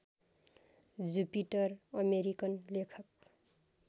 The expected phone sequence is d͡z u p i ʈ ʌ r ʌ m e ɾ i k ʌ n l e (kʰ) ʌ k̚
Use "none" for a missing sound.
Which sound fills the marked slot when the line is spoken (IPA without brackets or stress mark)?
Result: kʰ